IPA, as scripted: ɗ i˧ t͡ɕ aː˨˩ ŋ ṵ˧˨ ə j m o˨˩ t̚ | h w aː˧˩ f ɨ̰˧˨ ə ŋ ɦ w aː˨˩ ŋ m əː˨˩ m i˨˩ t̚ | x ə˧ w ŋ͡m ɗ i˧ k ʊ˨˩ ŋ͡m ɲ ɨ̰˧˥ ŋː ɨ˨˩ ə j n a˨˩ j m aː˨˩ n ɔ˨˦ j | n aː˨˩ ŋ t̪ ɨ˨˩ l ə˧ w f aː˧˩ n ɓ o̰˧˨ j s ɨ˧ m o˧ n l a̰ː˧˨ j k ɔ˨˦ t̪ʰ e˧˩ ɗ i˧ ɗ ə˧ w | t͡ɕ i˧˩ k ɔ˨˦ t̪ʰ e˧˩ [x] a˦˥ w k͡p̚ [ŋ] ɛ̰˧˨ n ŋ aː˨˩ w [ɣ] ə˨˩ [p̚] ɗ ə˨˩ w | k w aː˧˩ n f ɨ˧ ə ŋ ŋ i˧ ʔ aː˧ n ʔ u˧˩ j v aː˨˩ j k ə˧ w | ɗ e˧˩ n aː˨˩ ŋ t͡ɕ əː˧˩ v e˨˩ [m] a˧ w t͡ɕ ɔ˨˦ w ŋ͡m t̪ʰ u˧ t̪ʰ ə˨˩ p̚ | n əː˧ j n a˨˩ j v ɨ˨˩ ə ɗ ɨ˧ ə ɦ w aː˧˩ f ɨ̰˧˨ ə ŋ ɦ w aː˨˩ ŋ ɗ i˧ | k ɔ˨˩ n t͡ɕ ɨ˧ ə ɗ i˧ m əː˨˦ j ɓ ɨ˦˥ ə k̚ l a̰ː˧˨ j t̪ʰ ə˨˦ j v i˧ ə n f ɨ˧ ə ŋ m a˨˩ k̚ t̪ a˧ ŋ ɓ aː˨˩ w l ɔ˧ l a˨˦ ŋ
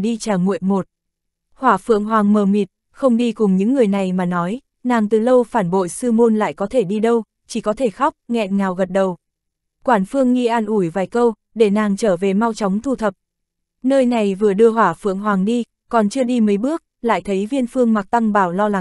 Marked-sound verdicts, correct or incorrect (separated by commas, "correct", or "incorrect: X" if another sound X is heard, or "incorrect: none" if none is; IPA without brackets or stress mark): correct, correct, correct, incorrect: t̚, correct